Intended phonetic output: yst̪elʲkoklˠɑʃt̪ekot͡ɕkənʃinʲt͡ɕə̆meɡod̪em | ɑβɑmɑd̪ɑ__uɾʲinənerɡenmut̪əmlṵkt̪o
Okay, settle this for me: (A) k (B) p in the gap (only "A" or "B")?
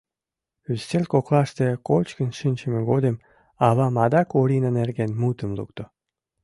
A